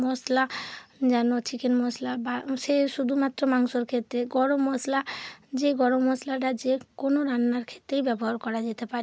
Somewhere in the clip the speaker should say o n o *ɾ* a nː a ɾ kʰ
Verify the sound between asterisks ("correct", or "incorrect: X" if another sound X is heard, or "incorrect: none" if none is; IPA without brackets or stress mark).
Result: correct